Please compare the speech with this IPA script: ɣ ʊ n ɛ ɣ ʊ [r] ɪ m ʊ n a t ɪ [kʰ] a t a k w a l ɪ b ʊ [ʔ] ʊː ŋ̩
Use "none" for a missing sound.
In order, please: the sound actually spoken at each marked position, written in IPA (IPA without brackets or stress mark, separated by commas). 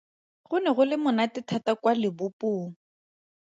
l, tʰ, p